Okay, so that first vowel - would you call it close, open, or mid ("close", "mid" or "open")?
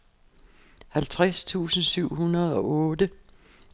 open